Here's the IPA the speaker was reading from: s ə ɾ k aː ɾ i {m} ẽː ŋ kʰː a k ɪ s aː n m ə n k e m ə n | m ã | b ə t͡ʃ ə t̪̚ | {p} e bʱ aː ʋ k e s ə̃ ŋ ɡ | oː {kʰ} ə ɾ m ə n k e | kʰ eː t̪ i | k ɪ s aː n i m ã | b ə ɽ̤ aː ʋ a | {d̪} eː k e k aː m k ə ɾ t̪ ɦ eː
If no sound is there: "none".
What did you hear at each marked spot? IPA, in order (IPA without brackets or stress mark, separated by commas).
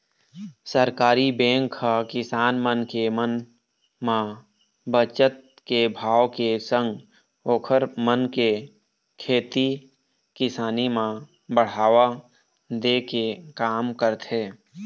b, k, kʰ, d̪